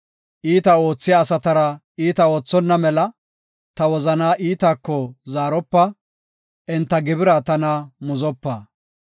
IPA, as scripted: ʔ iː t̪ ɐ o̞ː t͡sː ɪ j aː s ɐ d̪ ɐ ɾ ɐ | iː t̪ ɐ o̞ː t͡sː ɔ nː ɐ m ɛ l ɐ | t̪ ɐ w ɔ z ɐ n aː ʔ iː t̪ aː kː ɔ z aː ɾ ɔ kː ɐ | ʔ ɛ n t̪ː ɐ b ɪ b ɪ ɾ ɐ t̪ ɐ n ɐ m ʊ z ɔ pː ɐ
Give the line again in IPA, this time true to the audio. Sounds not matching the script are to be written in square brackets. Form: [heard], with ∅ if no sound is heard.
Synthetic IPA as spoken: ʔ iː t̪ ɐ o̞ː t͡sː ɪ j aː s ɐ [t̪] ɐ ɾ ɐ | iː t̪ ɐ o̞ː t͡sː ɔ nː ɐ m ɛ l ɐ | t̪ ɐ w ɔ z ɐ n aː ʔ iː t̪ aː kː ɔ z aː ɾ ɔ [pː] ɐ | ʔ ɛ n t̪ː ɐ [ɡ] ɪ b ɪ ɾ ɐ t̪ ɐ n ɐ m ʊ z ɔ pː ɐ